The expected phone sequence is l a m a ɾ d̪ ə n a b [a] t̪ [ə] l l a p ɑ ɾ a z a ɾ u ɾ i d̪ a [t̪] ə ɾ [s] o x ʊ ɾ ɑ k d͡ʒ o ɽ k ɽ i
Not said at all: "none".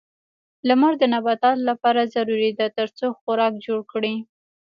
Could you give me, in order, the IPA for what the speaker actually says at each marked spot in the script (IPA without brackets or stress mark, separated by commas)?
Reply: a, ɑ, t̪, t͡s